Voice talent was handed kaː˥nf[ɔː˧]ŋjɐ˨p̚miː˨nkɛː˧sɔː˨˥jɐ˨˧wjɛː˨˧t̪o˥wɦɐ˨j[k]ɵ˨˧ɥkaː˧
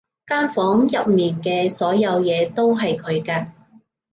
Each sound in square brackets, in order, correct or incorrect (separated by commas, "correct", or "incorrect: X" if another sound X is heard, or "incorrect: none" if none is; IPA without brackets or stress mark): incorrect: ɔː˨˥, incorrect: kʰ